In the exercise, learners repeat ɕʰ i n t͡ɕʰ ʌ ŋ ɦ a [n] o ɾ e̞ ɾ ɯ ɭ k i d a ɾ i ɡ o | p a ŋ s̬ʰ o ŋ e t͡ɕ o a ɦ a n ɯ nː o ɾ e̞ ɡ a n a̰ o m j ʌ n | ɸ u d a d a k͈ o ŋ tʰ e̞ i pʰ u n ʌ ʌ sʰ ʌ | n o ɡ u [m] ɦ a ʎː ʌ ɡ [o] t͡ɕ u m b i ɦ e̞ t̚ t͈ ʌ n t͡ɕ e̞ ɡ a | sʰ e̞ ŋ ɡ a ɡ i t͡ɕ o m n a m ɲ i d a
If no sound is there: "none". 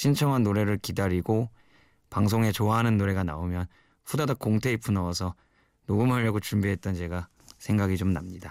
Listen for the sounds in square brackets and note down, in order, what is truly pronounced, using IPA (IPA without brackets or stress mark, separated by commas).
nː, m, o